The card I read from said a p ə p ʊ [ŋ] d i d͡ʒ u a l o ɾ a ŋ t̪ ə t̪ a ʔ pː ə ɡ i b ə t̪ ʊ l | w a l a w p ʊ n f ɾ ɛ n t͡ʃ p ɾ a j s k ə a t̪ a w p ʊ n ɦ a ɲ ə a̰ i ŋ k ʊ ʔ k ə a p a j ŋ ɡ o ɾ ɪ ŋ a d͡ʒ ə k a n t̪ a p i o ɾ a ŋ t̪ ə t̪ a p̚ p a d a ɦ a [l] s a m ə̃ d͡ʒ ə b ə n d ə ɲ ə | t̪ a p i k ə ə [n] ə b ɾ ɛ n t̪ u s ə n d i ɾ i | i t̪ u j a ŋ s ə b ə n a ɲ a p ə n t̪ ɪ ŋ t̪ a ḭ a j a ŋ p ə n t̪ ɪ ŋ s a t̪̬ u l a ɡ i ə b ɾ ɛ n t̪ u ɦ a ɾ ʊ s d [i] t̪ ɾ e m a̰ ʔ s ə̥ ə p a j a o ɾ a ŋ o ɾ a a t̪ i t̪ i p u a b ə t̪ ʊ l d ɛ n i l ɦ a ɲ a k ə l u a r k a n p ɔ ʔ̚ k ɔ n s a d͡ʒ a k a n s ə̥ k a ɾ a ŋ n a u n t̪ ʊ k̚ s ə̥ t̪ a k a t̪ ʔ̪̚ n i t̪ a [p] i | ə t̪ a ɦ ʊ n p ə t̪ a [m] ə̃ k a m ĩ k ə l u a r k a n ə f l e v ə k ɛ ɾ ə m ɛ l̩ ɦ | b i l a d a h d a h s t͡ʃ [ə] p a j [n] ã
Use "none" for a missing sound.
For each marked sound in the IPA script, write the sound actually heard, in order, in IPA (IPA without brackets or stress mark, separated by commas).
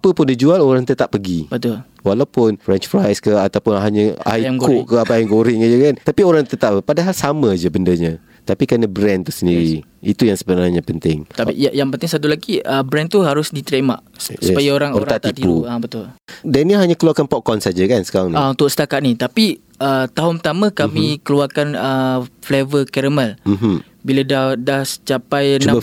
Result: n, l, n, i, p, m, a, n